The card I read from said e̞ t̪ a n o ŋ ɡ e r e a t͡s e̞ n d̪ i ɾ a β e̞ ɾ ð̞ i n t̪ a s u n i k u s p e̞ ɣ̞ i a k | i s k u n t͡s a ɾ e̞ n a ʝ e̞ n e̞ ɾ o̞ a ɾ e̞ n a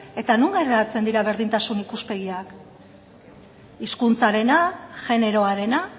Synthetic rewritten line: e̞ t̪ a n u ŋ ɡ e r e a t͡s e̞ n d̪ i ɾ a β e̞ ɾ ð̞ i n t̪ a s u n i k u s p e̞ ɣ̞ i a k | i s k u n t͡s a ɾ e̞ n a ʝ e̞ n e̞ ɾ o̞ a ɾ e̞ n a